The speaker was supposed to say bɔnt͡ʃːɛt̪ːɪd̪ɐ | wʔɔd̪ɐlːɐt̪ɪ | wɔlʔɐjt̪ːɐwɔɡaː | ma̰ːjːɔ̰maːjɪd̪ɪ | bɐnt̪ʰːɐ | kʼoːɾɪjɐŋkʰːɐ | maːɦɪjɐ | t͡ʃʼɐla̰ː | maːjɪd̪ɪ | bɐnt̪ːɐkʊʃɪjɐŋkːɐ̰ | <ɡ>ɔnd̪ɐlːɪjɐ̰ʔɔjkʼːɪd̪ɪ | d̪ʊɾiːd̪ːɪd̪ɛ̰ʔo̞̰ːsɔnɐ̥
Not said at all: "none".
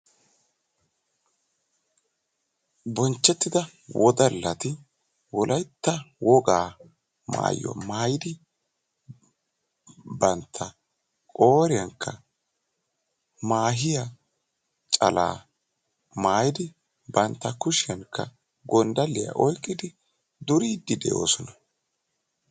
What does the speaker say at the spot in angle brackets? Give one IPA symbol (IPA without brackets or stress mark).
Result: ɡ